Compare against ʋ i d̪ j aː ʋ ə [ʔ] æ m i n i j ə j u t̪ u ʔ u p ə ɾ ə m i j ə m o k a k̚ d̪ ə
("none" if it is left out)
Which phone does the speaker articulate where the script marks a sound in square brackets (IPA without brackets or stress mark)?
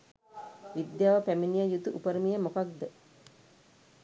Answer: p